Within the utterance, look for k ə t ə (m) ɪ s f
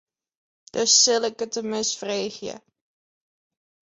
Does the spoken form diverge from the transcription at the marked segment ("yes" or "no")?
no